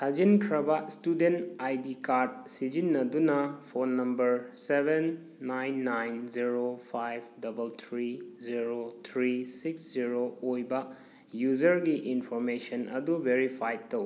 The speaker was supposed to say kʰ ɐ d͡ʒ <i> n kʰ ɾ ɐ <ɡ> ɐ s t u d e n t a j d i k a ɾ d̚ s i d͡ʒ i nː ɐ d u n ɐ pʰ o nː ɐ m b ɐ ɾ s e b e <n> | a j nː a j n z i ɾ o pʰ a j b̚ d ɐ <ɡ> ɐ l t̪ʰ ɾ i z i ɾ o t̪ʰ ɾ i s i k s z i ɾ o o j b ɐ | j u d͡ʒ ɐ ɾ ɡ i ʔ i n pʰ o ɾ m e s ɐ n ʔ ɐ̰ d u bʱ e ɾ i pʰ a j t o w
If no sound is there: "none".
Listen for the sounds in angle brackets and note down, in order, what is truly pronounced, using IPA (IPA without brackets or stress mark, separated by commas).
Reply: i, b, nː, b